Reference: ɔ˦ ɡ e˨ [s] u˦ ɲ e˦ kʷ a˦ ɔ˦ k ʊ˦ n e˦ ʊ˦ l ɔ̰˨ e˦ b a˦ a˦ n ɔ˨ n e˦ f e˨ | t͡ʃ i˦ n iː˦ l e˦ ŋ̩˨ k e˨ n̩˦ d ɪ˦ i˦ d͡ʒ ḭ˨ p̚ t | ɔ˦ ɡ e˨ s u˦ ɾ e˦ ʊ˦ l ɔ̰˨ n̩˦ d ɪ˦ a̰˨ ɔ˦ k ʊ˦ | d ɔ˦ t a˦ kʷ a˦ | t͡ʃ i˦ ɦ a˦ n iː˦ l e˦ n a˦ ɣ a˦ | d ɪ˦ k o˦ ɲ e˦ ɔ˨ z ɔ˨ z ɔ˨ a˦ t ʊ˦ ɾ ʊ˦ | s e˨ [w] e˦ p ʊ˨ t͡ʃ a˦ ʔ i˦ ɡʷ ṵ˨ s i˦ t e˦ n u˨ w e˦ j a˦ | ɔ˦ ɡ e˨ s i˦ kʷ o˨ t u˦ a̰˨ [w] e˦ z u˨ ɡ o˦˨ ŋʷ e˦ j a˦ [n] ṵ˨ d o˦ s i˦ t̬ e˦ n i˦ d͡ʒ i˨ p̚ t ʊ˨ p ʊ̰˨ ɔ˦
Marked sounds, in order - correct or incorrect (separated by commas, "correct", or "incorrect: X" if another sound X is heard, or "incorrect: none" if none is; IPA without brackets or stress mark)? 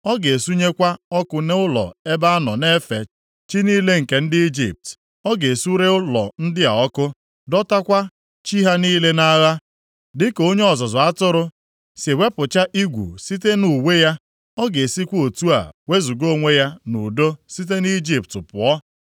correct, correct, correct, correct